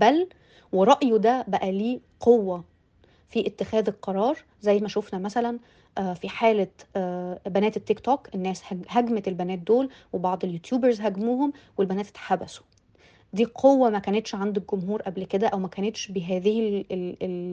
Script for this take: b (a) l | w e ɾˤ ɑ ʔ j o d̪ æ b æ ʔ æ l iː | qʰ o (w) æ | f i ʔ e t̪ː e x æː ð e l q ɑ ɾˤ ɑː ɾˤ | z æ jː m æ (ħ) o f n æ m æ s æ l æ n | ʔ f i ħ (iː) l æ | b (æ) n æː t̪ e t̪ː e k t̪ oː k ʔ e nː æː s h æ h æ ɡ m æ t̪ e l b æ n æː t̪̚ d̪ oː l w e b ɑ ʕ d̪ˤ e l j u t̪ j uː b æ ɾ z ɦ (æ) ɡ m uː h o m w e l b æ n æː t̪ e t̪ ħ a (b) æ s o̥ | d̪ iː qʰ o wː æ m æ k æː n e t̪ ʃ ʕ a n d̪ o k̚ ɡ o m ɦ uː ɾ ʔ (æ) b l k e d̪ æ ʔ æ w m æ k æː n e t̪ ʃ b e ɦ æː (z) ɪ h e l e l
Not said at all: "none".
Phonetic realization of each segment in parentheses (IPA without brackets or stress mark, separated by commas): æ, wː, ʃ, aː, æ, æ, b, æ, ð